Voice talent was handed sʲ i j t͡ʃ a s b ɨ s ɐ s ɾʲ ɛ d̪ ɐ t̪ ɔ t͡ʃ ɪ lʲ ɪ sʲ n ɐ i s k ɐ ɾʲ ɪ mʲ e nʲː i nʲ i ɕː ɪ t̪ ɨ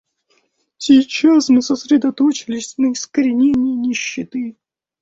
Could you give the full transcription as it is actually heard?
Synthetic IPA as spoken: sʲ i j t͡ʃ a s m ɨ s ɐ s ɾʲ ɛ d̪ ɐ t̪ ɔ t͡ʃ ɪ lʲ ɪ sʲ n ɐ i s k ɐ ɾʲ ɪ nʲ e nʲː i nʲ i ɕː ɪ t̪ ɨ